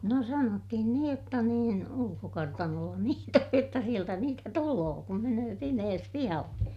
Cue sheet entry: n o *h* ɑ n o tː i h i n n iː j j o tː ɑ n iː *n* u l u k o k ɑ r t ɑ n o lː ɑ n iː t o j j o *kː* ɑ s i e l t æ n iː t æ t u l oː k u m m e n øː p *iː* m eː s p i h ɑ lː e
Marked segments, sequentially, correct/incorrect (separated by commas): incorrect, correct, incorrect, incorrect